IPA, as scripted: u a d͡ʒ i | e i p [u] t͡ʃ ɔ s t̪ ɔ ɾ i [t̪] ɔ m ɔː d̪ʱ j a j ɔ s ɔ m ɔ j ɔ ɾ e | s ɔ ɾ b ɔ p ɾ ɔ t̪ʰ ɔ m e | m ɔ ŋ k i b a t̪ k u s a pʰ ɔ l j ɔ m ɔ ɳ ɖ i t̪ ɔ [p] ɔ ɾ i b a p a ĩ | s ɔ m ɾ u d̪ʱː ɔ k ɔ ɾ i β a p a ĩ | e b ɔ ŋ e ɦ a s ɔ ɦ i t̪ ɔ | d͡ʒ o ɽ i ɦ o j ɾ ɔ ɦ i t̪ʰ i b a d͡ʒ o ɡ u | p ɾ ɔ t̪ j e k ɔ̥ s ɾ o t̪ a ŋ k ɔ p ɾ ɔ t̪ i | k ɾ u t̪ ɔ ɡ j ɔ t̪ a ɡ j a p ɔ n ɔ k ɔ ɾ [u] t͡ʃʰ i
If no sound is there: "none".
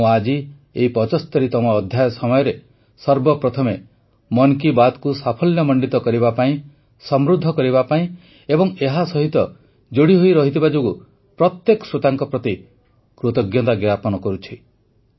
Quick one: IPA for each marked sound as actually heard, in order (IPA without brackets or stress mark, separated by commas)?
ɔ, t̪, k, u